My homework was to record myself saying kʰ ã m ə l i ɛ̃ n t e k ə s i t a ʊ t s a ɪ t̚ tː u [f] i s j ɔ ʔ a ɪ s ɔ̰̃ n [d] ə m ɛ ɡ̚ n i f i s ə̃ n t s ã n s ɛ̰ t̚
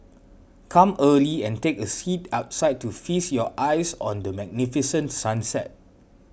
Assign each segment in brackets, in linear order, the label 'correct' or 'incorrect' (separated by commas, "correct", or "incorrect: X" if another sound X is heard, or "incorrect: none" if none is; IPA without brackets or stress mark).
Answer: correct, correct